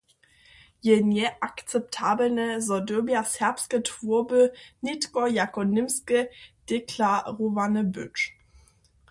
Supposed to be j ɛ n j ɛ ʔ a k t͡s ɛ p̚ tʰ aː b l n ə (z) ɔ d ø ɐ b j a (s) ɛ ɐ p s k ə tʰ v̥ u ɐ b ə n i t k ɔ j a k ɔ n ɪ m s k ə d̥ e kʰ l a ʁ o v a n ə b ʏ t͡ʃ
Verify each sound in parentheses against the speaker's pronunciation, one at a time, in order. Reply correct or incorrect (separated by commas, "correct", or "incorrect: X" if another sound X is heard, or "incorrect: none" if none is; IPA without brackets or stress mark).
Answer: correct, correct